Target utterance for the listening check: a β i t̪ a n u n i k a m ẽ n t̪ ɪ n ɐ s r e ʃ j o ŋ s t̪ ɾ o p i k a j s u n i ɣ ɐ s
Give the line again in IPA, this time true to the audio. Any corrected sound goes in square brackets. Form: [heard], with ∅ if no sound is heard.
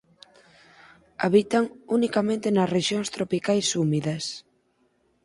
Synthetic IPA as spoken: a β i t̪ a [ŋ] u n i k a m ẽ n t̪ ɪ n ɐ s r e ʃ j o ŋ s t̪ ɾ o p i k a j s u [m] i [ð] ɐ s